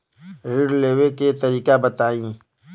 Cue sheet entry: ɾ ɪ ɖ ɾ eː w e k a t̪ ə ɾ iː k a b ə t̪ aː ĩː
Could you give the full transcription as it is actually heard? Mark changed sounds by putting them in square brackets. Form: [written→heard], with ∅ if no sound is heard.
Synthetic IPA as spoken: ɾ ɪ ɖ [ɾ→l] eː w e k [a→e] t̪ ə ɾ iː k a b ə t̪ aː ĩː